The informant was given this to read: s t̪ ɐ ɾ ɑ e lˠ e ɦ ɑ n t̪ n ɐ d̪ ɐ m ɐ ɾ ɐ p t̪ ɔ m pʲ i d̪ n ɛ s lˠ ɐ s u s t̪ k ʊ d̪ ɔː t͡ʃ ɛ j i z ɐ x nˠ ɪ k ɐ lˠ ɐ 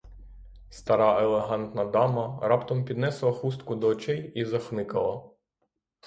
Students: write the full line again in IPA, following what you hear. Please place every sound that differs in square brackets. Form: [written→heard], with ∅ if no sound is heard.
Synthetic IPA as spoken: s t̪ ɐ ɾ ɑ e lˠ e ɦ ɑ n t̪ n ɐ d̪ [ɐ→ɑ] m ɐ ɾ [ɐ→ɑ] p t̪ ɔ m pʲ i d̪ n ɛ s lˠ ɐ [s→x] u s t̪ k ʊ d̪ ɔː t͡ʃ ɛ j i z ɐ x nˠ ɪ k ɐ lˠ ɐ